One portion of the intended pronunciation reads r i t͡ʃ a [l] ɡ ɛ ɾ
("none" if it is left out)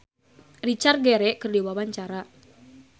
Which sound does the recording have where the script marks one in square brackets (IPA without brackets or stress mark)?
r